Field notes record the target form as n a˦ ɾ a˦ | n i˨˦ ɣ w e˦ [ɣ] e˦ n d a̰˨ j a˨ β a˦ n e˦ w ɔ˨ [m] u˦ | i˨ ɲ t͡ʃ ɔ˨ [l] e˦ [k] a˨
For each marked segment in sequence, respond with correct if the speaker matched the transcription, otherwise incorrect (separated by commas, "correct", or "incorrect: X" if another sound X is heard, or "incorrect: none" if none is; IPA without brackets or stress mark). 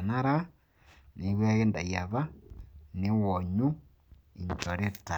correct, incorrect: ɲ, incorrect: ɾ, incorrect: t